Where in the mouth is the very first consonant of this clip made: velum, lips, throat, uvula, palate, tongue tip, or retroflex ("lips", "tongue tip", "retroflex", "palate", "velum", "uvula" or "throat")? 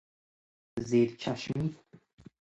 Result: tongue tip